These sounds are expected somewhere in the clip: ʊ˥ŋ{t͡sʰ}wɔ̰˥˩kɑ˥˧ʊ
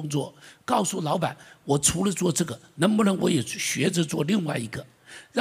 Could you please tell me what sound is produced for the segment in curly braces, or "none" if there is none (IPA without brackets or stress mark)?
t͡s